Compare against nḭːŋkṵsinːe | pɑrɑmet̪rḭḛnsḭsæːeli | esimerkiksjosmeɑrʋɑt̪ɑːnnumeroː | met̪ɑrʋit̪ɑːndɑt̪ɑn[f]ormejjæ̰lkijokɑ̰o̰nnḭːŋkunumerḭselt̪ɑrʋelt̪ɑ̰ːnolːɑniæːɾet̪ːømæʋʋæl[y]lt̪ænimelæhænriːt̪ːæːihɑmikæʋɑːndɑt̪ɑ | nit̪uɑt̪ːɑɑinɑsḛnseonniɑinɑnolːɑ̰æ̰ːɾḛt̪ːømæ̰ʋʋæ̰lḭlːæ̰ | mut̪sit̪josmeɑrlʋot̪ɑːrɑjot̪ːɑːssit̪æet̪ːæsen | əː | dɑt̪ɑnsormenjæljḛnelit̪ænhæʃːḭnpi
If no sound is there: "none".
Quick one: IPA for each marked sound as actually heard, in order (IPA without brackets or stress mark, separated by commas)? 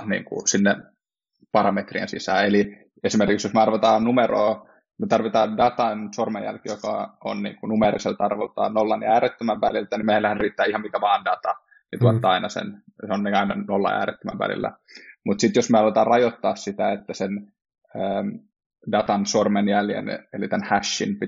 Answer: s, i